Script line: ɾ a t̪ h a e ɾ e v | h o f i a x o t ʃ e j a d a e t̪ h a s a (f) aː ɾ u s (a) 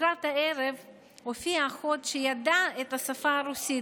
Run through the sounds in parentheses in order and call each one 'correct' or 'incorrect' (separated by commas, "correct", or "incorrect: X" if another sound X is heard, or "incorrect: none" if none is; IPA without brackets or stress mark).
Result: correct, incorrect: i